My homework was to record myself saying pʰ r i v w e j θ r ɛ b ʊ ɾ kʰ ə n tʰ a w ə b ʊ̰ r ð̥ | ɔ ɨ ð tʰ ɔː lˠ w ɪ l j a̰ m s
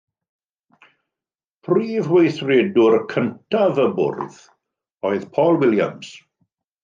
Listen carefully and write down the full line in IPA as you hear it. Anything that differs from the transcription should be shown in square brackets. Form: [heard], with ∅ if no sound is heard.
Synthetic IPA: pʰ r [iː] v w e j θ r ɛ [d] ʊ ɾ kʰ ə n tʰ a [v] ə b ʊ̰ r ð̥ | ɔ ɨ ð [pʰ] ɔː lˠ w ɪ l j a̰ m s